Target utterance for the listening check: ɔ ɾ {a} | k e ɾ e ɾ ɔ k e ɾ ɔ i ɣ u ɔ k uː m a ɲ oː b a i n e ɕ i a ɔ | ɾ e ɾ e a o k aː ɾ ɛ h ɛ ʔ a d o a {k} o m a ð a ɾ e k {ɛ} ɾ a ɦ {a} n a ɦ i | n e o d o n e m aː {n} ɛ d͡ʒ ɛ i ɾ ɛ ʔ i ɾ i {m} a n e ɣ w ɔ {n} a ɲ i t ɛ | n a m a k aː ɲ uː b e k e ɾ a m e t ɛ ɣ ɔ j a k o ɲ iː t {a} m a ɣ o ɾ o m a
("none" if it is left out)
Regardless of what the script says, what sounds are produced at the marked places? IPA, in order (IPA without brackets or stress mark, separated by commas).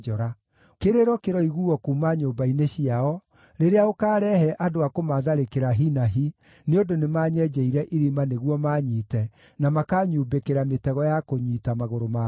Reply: a, k, e, i, ɲ, m, m, a